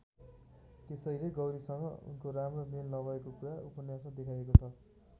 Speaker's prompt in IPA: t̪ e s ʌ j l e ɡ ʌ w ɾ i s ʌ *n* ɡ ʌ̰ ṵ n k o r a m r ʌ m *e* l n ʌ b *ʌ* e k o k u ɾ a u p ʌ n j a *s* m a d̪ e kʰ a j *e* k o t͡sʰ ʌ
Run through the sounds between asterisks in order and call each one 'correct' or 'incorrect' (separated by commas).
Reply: incorrect, correct, correct, correct, correct